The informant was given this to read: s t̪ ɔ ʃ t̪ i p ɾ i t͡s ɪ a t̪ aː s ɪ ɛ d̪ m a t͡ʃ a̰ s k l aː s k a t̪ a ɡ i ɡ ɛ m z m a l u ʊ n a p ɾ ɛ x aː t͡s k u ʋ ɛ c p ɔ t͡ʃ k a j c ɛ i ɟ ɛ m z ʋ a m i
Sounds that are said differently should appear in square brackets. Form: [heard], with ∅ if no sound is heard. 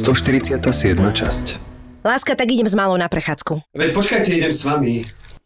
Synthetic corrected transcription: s t̪ ɔ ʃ t̪ i [∅] ɾ i t͡s ɪ a t̪ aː s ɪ ɛ d̪ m a t͡ʃ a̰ s [c] l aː s k a t̪ a ɡ i [ɟ] ɛ m z m a l [ɔ] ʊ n a p ɾ ɛ x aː t͡s k u ʋ ɛ c p ɔ t͡ʃ k a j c ɛ i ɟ ɛ m [s] ʋ a m i